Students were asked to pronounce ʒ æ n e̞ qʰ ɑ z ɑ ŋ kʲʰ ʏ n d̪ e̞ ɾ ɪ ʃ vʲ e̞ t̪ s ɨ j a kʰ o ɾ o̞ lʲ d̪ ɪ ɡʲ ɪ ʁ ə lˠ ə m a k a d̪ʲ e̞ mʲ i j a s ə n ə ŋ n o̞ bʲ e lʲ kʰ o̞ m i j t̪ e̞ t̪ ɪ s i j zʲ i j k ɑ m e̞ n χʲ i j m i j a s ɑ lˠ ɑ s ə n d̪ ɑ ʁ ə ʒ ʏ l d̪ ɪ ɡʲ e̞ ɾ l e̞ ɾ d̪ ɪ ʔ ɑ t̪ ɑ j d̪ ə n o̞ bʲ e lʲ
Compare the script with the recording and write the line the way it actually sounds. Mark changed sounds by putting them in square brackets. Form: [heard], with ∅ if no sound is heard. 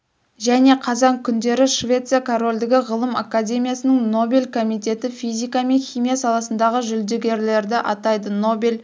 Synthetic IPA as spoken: ʒ æ n e̞ qʰ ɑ z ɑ ŋ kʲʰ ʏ n d̪ e̞ ɾ ɪ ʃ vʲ e̞ t̪ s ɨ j a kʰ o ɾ o̞ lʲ d̪ ɪ ɡʲ ɪ ʁ ə lˠ ə m a k a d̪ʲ e̞ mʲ i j a s ə n ə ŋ n o̞ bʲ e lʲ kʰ o̞ m i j t̪ e̞ t̪ ɪ [f] i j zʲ i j k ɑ m e̞ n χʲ i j m i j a s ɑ lˠ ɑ s ə n d̪ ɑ ʁ ə ʒ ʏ l d̪ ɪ ɡʲ e̞ ɾ l e̞ ɾ d̪ ɪ ʔ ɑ t̪ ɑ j d̪ ə n o̞ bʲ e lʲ

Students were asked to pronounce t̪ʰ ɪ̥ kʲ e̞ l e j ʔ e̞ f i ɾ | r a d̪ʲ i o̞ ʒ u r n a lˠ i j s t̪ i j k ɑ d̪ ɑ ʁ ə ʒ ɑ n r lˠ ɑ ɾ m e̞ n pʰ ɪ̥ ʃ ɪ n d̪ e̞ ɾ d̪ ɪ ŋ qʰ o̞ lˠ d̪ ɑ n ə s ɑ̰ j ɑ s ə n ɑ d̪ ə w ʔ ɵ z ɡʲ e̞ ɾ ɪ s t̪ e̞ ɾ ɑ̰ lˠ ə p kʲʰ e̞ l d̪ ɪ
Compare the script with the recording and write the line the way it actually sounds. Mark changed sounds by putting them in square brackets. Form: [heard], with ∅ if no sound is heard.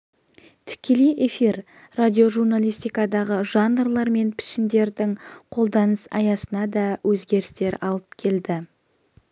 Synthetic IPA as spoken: t̪ʰ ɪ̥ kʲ e̞ l e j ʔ e̞ f i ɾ | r a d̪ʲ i o̞ ʒ u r n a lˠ i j s t̪ i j k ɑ d̪ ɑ ʁ ə ʒ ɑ n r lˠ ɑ ɾ m e̞ n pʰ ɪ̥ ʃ ɪ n d̪ e̞ ɾ d̪ ɪ ŋ qʰ o̞ lˠ d̪ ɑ n ə s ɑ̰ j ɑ s ə n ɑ d̪ [ɑ] w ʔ ɵ z ɡʲ e̞ ɾ ɪ s t̪ e̞ ɾ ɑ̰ lˠ ə p kʲʰ e̞ l d̪ ɪ

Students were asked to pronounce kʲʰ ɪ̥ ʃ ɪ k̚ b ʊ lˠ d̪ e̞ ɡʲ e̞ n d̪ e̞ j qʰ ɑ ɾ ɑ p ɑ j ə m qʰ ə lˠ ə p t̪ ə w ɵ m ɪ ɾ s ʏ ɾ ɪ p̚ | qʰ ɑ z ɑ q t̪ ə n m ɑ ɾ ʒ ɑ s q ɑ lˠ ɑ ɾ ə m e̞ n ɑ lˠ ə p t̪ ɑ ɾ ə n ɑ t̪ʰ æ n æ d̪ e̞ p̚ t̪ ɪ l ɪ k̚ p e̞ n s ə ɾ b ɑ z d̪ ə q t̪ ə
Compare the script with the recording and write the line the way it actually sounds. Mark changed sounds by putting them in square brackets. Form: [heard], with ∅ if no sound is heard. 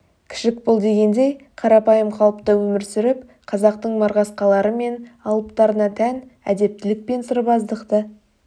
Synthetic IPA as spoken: kʲʰ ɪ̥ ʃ ɪ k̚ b ʊ lˠ d̪ e̞ ɡʲ e̞ n d̪ e̞ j qʰ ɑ ɾ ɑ p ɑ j ə m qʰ [ɑ] lˠ ə p t̪ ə w ɵ m ɪ ɾ s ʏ ɾ ɪ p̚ | qʰ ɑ z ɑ q t̪ ə [ɴ] m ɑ ɾ [ʁ] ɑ s q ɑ lˠ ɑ ɾ ə m e̞ n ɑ lˠ ə p t̪ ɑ ɾ ə n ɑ t̪ʰ æ n æ d̪ e̞ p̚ t̪ ɪ l ɪ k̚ p e̞ n s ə ɾ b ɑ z d̪ ə q t̪ ə

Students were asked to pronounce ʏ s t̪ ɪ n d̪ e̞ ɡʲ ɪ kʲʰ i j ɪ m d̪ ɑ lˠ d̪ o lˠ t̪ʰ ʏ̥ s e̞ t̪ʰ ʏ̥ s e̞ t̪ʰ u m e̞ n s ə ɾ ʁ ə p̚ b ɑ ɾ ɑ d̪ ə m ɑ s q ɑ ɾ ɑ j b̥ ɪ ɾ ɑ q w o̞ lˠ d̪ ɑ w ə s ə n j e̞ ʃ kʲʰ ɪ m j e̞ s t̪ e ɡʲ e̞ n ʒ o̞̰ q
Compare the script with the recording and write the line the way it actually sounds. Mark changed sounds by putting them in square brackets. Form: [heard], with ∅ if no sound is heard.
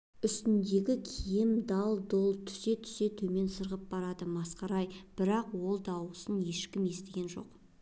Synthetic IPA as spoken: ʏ s t̪ ɪ n d̪ e̞ ɡʲ ɪ kʲʰ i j ɪ m d̪ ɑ lˠ d̪ o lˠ t̪ʰ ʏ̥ s e̞ t̪ʰ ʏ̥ s e̞ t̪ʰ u m e̞ n s ə ɾ ʁ ə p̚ b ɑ ɾ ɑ d̪ ə m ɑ s q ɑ ɾ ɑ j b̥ ɪ ɾ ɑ q w o̞ lˠ d̪ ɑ w ə s ə n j e̞ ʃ [kʲ] ɪ m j e̞ s t̪ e ɡʲ e̞ n ʒ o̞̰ q

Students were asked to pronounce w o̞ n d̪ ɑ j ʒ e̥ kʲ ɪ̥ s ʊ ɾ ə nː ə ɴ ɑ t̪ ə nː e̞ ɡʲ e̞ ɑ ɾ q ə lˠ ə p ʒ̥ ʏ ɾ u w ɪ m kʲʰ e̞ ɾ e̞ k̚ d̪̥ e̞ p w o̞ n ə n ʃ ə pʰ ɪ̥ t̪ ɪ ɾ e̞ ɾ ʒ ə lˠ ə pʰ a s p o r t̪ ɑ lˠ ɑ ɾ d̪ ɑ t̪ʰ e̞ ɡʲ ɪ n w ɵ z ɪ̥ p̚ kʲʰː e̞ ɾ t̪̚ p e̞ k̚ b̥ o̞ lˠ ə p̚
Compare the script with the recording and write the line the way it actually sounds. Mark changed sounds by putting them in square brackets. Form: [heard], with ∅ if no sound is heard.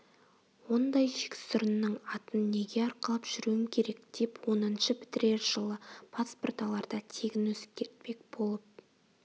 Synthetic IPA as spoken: w o̞ n d̪ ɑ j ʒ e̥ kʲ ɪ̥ s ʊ ɾ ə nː ə ɴ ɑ t̪ ə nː e̞ ɡʲ e̞ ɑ ɾ q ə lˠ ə p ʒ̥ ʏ ɾ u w ɪ m kʲʰ e̞ ɾ e̞ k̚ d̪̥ e̞ p w o̞ n ə n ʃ ə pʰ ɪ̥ t̪ ɪ ɾ e̞ ɾ ʒ ə lˠ ə pʰ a s p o r t̪ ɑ lˠ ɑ ɾ d̪ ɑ t̪ʰ e̞ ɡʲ ɪ n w ɵ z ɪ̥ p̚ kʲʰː e̞ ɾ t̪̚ p e̞ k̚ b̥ o̞ lˠ ə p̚

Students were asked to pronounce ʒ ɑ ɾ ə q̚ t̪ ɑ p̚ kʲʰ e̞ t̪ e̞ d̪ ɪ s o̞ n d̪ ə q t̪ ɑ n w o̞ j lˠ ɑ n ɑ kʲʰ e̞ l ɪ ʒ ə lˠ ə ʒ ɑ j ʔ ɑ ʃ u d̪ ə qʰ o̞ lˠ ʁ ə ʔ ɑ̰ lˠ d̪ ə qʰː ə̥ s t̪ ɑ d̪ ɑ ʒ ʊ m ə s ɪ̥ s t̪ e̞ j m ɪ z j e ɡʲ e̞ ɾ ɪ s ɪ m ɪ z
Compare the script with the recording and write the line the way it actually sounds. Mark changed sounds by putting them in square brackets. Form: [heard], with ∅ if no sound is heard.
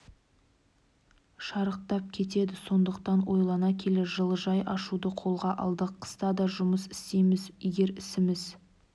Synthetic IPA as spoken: [ʃ] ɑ ɾ ə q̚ t̪ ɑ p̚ kʲʰ e̞ t̪ e̞ d̪ ɪ s o̞ n d̪ ə q t̪ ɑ n w o̞ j lˠ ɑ n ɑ kʲʰ e̞ l ɪ ʒ ə lˠ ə ʒ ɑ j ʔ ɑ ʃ u d̪ ə qʰ o̞ lˠ ʁ [ɑ] ʔ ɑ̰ lˠ d̪ ə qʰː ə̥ s t̪ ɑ d̪ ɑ ʒ ʊ m ə s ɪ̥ s t̪ e̞ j m ɪ z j e ɡʲ e̞ ɾ ɪ s ɪ m ɪ z

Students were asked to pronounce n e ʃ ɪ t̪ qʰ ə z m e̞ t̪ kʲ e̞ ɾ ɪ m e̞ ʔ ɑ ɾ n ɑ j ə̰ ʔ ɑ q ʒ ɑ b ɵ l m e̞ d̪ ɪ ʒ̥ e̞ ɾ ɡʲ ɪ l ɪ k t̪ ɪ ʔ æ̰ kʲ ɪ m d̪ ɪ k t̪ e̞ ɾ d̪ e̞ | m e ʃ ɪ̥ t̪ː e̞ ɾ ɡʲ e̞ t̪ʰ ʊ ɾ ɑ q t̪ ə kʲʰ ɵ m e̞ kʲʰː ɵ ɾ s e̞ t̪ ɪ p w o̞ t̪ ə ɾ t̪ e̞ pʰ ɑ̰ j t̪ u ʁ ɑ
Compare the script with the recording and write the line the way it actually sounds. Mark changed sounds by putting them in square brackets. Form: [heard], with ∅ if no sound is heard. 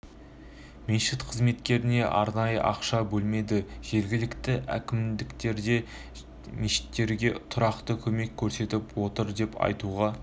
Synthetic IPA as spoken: [m] e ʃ ɪ t̪ qʰ ə z m e̞ t̪ kʲ e̞ ɾ ɪ [n] e̞ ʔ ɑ ɾ n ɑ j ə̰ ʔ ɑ q [ʃ] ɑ b ɵ l m e̞ d̪ ɪ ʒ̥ e̞ ɾ ɡʲ ɪ l ɪ k t̪ ɪ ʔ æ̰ kʲ ɪ m d̪ ɪ k t̪ e̞ ɾ d̪ e̞ | m e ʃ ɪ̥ t̪ː e̞ ɾ ɡʲ e̞ t̪ʰ ʊ ɾ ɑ q t̪ ə kʲʰ ɵ m e̞ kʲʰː ɵ ɾ s e̞ t̪ ɪ p w o̞ t̪ ə ɾ [d̪] e̞ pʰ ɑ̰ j t̪ u ʁ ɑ

